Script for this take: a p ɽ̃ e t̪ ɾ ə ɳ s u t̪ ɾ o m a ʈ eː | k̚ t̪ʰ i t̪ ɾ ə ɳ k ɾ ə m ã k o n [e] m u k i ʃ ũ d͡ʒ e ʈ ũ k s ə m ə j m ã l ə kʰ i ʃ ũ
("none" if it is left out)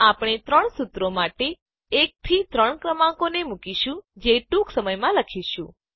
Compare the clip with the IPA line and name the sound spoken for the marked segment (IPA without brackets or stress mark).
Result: e